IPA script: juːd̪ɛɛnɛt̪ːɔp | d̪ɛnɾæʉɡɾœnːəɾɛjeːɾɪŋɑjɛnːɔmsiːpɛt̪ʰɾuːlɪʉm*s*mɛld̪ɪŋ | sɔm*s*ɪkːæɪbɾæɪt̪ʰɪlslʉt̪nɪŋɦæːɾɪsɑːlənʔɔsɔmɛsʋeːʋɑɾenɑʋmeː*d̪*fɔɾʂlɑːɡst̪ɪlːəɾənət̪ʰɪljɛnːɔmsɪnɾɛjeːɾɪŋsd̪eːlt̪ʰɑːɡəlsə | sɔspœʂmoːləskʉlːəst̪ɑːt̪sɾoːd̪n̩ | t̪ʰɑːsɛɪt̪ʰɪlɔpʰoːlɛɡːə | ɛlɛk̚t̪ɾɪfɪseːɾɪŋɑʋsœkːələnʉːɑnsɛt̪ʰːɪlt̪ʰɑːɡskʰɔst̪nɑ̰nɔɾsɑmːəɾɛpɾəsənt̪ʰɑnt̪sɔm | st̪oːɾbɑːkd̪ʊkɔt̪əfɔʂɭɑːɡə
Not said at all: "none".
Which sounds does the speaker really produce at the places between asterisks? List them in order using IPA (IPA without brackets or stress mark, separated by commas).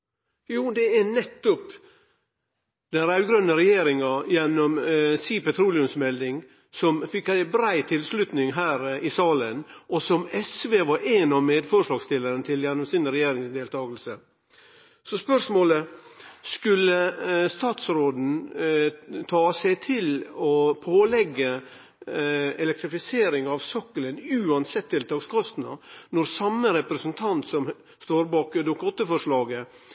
s, f, d̪